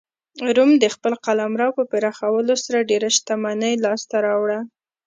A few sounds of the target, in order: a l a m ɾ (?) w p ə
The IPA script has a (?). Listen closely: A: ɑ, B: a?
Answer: A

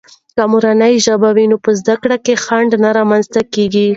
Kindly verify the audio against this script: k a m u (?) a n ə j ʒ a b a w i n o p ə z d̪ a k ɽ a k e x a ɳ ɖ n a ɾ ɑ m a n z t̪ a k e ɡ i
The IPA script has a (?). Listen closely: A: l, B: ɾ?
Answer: B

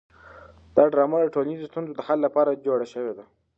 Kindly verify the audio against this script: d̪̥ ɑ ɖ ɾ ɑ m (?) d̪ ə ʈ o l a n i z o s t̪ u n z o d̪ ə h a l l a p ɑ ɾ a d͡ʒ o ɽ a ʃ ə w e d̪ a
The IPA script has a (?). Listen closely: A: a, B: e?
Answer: A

